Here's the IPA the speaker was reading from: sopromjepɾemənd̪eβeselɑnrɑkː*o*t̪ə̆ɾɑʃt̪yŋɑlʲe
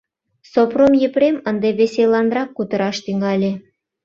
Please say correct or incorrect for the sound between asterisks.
incorrect